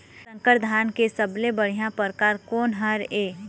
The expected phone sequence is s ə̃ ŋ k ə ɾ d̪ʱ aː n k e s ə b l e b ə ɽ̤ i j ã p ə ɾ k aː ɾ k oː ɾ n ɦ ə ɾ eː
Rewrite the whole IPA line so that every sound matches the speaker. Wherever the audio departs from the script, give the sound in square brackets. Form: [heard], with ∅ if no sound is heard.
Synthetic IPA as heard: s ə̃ ŋ k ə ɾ d̪ʱ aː n k e s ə b l e b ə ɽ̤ i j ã p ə ɾ k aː ɾ k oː [∅] n ɦ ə ɾ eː